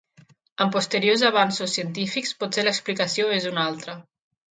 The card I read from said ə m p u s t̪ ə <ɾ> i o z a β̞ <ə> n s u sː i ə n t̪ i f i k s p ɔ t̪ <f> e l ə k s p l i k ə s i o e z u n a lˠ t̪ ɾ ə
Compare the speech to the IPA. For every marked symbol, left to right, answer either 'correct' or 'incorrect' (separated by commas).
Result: correct, incorrect, incorrect